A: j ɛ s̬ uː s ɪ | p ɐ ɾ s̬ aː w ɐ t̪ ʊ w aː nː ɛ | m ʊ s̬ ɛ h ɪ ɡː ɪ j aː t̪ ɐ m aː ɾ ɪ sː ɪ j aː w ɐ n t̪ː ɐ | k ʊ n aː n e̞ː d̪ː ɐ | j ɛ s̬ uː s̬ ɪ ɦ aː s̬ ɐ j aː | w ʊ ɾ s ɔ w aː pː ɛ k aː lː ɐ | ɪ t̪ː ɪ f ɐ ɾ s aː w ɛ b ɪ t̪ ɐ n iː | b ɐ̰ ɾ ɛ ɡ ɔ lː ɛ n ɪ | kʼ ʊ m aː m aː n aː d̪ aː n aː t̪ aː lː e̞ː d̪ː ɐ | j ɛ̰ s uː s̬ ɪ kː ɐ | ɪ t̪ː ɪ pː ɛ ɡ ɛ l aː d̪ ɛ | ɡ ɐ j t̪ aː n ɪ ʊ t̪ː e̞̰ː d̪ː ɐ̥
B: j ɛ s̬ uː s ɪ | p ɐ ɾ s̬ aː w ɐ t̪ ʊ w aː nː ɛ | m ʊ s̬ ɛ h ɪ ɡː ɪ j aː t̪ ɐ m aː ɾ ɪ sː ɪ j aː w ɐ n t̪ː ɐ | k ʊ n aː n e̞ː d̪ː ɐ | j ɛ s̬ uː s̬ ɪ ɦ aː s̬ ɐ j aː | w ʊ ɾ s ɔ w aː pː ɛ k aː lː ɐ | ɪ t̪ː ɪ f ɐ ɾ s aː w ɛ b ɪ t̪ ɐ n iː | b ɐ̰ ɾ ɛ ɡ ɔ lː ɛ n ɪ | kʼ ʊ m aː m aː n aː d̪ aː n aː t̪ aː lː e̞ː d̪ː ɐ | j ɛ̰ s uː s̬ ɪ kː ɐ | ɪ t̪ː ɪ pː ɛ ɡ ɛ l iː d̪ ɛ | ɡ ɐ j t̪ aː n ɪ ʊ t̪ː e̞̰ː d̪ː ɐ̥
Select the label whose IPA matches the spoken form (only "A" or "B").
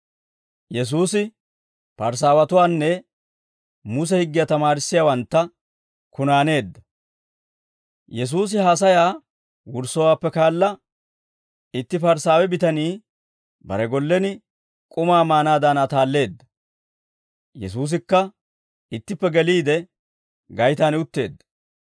B